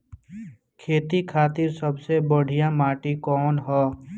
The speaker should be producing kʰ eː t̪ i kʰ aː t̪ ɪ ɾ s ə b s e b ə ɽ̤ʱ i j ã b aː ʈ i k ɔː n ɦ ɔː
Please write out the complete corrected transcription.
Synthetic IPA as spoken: kʰ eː t̪ i kʰ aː t̪ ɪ ɾ s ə b s e b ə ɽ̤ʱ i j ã m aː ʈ i k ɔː n ɦ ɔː